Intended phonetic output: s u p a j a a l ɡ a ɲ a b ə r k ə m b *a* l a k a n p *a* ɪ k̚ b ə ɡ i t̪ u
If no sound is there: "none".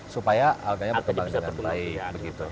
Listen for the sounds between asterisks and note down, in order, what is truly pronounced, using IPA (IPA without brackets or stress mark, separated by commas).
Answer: a, a